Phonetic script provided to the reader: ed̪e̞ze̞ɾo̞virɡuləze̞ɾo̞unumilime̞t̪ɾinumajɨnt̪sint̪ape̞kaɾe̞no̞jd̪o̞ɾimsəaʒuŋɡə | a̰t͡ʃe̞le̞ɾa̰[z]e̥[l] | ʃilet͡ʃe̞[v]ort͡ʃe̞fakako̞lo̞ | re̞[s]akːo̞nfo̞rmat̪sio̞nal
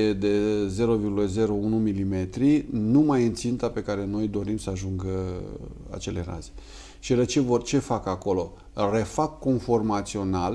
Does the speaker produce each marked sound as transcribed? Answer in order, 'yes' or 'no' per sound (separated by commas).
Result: yes, no, yes, no